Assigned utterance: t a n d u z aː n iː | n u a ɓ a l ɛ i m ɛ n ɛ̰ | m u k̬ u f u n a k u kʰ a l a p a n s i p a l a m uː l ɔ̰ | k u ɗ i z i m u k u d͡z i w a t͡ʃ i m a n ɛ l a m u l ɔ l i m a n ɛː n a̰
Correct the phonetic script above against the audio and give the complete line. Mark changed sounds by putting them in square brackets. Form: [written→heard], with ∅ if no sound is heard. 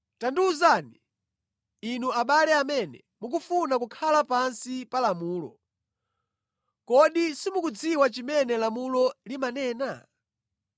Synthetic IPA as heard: t a n d u z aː n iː | n u a ɓ a l ɛ [i→a] m ɛ n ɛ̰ | m u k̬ u f u n a k u kʰ a l a p a n s i p a l a m uː l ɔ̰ | k [u→ɔ] ɗ i [z→s] i m u k u d͡z i w a t͡ʃ i m [a→ɛ] n ɛ l a m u l ɔ l i m a n ɛː n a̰